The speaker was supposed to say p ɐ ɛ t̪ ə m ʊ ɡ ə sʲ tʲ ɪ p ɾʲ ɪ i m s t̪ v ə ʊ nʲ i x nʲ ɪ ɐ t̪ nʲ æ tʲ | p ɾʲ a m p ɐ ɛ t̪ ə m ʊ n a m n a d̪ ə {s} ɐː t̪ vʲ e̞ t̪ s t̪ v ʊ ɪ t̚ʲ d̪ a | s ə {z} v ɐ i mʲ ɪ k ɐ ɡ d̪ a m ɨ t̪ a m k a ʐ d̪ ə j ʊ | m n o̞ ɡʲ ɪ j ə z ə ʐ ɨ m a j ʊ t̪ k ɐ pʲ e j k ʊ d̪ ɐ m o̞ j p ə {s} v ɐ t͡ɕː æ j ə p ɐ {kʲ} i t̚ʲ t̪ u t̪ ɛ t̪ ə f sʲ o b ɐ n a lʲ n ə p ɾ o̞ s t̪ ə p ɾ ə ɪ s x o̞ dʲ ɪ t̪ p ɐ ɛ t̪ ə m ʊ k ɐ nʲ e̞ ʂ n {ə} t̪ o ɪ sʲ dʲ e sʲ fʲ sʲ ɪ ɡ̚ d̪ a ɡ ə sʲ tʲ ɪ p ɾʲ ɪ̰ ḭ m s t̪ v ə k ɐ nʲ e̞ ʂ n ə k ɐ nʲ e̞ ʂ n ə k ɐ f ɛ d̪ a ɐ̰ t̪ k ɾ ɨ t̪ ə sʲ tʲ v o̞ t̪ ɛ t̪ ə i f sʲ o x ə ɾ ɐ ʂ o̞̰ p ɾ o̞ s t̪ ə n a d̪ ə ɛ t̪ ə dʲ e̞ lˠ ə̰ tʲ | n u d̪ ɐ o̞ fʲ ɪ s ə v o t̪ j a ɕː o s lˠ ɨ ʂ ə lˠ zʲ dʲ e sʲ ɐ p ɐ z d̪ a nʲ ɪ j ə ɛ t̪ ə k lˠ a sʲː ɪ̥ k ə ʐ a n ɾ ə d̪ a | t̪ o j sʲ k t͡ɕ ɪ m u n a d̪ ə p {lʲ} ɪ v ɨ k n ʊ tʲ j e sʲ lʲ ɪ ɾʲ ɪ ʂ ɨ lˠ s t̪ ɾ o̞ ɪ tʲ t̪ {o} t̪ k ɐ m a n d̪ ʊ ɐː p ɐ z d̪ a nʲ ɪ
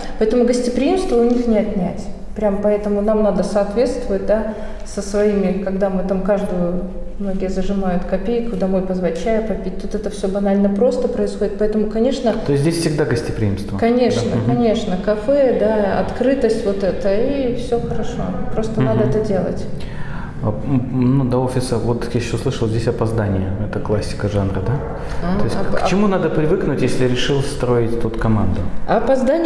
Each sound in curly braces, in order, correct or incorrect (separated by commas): correct, incorrect, incorrect, incorrect, correct, incorrect, incorrect